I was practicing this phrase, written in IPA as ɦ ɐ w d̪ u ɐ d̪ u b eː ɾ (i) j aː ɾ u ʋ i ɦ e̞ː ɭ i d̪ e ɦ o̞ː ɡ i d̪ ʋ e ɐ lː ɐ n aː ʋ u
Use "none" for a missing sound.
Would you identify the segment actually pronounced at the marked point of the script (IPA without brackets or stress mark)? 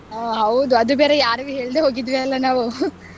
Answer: e